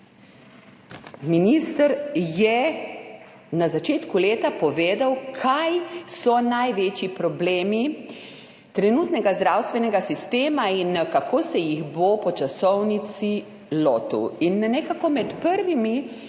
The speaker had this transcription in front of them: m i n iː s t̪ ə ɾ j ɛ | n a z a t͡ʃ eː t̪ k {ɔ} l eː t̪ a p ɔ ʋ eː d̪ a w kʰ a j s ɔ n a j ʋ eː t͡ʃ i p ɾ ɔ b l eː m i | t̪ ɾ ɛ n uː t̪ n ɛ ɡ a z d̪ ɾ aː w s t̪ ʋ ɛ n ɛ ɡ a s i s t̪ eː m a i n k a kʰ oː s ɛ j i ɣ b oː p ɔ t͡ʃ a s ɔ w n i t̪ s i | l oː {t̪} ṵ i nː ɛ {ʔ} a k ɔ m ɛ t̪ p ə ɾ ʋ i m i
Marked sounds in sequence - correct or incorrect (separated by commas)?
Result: incorrect, correct, incorrect